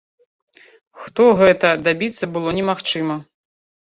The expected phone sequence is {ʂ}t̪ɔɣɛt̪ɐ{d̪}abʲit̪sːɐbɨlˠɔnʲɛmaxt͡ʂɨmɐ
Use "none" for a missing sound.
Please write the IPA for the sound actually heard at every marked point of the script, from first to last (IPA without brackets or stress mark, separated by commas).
x, d̪